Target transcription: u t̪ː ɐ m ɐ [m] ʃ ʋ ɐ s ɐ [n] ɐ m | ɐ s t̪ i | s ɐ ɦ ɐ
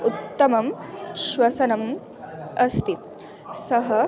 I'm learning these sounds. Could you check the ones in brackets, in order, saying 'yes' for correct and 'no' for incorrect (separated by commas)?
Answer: yes, yes